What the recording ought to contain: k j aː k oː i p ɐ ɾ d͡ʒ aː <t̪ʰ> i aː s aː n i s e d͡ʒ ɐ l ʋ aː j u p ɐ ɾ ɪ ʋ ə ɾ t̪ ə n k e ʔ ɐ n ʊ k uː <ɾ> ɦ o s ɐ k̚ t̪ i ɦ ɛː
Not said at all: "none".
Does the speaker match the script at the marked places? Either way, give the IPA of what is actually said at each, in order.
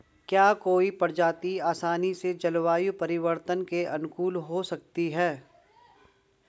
t̪, l

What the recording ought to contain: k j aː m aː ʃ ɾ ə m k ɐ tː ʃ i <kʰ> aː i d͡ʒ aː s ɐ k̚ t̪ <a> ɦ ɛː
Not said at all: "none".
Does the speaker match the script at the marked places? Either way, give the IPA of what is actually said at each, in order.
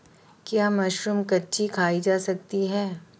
kʰ, i

